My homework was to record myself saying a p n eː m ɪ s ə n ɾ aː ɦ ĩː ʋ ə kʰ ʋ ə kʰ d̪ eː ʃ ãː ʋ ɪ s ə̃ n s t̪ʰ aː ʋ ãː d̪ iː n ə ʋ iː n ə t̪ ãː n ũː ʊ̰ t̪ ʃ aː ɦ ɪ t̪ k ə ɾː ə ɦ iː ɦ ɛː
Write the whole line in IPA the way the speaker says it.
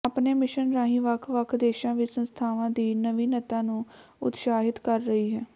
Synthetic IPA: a p n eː m ɪ ʃ ə n ɾ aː ɦ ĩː ʋ ə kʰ ʋ ə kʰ d̪ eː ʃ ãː ʋ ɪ s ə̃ n s t̪ʰ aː ʋ ãː d̪ iː n ə ʋ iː n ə t̪ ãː n ũː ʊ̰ t̪ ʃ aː ɦ ɪ t̪ k ə ɾː ə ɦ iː ɦ ɛː